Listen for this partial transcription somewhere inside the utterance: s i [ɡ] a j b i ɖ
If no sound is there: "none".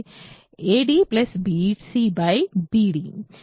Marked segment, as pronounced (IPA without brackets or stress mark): b